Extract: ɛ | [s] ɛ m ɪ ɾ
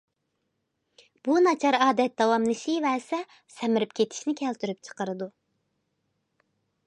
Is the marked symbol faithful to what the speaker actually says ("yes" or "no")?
yes